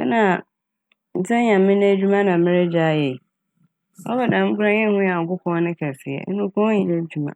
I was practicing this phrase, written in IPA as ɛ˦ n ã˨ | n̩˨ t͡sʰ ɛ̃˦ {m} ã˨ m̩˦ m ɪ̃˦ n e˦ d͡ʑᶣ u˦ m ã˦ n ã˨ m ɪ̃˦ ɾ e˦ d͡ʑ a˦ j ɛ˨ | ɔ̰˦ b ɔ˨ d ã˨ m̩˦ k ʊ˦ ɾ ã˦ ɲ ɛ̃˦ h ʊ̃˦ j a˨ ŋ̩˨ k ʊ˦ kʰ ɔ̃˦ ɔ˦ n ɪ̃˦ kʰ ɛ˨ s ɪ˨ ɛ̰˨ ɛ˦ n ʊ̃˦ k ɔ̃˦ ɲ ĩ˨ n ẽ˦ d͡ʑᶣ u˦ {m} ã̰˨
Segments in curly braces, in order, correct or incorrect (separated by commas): incorrect, correct